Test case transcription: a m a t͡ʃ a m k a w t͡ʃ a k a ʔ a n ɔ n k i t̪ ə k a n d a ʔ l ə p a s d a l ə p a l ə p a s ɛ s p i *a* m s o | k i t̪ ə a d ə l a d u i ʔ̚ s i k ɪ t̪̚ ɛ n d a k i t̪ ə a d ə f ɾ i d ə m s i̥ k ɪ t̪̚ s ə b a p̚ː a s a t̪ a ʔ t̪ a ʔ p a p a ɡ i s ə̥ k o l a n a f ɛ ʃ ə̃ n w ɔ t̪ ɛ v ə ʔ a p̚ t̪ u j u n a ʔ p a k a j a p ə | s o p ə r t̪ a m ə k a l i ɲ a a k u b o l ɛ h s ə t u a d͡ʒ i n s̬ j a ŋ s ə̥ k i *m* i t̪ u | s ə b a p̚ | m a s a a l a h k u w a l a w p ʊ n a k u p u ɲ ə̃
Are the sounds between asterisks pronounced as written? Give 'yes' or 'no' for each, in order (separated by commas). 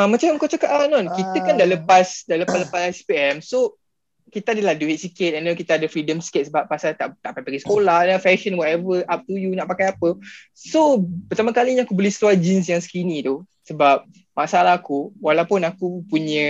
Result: no, no